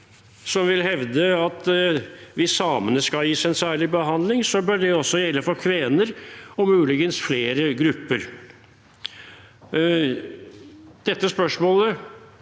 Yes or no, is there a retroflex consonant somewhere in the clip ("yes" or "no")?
yes